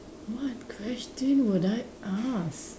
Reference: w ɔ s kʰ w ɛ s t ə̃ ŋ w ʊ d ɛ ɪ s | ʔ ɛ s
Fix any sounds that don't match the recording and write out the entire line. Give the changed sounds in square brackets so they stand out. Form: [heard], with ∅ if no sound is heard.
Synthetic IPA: w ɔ [t] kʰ w ɛ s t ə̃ [n] w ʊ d [a] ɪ [∅] | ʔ [a] s